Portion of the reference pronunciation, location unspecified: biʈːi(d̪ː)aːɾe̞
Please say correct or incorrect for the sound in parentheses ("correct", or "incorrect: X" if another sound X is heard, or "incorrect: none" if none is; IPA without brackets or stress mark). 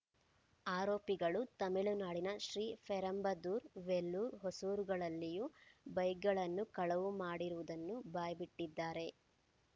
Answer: correct